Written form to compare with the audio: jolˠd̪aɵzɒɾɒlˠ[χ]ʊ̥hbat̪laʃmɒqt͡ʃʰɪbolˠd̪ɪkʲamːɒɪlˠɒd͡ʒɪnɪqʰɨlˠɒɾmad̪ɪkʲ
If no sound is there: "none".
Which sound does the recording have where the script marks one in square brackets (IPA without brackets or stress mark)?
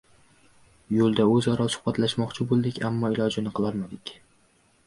s